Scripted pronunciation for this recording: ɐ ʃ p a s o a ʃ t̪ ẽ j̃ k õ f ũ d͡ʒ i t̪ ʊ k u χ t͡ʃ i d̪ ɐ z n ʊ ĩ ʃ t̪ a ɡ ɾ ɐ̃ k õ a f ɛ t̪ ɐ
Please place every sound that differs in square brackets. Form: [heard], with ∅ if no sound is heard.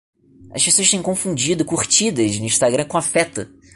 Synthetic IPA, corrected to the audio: ɐ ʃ p [e] s o [ɐ] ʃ t̪ ẽ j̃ k õ f ũ d͡ʒ i [d̪] ʊ k u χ t͡ʃ i d̪ ɐ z n ʊ ĩ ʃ t̪ a ɡ ɾ ɐ̃ k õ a f ɛ t̪ ɐ